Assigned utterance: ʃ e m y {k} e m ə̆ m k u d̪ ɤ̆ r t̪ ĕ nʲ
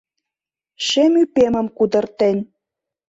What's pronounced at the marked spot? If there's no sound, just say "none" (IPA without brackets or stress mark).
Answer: p